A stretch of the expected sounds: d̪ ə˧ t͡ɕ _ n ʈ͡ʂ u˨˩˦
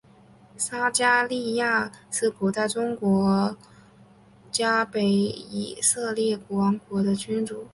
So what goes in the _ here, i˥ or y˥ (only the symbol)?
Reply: y˥